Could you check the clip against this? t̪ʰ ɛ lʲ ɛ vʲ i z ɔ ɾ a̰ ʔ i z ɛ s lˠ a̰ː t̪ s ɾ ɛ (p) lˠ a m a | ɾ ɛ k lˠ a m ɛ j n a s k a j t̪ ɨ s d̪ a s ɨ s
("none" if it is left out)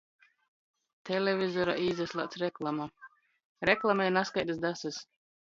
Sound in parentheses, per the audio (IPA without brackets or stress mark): k